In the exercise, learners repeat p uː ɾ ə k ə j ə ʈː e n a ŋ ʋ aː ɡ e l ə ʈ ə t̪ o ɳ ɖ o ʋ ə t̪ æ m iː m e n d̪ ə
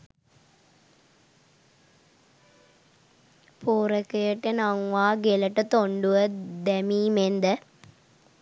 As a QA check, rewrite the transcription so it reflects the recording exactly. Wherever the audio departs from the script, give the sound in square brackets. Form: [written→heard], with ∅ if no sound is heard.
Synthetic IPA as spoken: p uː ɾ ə k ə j ə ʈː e n a ŋ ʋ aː ɡ e l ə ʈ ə t̪ o ɳ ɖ [o→u] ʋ ə [t̪→d̪] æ m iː m e n d̪ ə